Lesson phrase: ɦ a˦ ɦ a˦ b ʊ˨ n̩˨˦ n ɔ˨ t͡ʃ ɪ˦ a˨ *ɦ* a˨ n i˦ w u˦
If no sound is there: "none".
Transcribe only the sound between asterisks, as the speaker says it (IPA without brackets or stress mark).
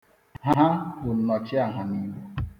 ɦ